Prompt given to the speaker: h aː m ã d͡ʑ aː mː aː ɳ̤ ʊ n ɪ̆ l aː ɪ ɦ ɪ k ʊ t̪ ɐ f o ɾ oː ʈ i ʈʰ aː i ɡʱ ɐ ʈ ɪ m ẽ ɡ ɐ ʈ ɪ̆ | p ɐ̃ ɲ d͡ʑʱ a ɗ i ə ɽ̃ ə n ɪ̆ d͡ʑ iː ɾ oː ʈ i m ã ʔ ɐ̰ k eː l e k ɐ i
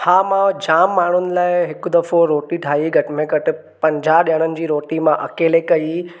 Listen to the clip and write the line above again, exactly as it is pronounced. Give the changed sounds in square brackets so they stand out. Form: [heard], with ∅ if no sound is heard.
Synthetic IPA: h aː m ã d͡ʑ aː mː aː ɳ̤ ʊ n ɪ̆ l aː ɪ ɦ ɪ k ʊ [d̪] ɐ f o ɾ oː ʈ i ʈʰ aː i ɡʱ ɐ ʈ ɪ m ẽ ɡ ɐ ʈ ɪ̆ | p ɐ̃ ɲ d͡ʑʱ a ɗ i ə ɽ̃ ə n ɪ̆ d͡ʑ iː ɾ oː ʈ i m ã ʔ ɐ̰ k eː l e k ɐ i